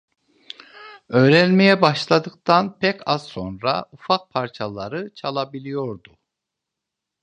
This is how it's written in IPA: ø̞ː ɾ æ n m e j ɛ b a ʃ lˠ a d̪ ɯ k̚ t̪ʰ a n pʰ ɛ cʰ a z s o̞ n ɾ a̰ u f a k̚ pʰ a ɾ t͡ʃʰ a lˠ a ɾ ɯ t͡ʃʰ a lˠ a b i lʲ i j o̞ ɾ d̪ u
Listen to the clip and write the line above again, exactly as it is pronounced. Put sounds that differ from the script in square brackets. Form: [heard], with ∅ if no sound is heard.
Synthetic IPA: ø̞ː ɾ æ n m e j ɛ b a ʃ lˠ a d̪ ɯ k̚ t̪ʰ a n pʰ ɛ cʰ a z s o̞ n ɾ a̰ u f a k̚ pʰ a ɾ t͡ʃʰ a lˠ a ɾ ɯ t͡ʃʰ a lˠ a b i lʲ i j o̞ ɾ d̪ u